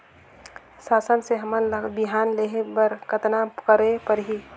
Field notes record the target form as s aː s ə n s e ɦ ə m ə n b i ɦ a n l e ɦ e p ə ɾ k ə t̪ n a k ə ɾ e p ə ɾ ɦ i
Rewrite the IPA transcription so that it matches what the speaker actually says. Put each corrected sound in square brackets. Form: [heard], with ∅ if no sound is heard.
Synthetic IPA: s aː s ə n s e ɦ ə m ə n b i ɦ a n l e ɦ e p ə ɾ k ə t̪ n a k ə ɾ e p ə ɾ ɦ i